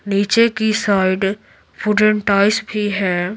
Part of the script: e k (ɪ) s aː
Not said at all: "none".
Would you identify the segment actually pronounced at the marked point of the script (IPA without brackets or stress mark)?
i